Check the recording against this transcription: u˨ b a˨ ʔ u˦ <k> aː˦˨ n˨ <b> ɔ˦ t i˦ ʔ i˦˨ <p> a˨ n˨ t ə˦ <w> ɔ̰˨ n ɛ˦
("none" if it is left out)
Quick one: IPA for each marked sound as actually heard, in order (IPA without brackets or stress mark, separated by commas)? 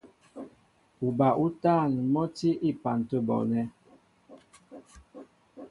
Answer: t, m, p, b